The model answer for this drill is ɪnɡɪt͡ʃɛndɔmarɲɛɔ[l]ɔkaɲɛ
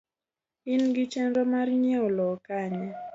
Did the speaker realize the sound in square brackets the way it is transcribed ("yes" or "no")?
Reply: yes